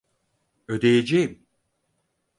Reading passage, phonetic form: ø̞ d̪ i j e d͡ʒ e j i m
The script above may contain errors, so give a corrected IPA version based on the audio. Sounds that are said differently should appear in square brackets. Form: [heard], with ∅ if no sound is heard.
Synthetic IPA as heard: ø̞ d̪ [e] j e d͡ʒ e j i m